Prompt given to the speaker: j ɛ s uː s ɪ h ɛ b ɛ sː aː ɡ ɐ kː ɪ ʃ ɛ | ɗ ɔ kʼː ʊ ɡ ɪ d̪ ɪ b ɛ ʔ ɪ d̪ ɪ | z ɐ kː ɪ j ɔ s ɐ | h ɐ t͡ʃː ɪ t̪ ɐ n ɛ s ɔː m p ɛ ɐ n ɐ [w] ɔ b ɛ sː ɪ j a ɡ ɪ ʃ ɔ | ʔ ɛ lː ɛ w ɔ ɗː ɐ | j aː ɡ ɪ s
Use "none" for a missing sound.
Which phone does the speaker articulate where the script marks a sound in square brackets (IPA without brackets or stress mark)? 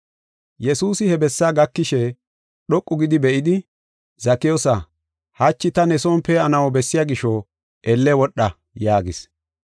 w